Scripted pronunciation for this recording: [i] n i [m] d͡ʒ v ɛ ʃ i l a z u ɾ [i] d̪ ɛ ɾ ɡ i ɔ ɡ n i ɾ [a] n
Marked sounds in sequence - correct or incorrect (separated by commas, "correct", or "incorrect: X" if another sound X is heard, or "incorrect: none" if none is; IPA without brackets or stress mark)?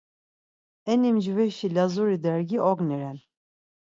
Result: incorrect: ɛ, correct, correct, incorrect: ɛ